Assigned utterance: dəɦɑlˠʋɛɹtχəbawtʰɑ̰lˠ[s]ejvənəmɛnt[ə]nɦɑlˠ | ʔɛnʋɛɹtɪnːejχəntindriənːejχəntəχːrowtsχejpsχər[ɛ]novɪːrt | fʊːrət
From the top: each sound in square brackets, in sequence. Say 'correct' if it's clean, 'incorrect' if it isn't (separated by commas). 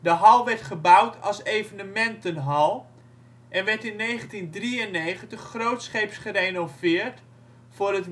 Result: correct, correct, incorrect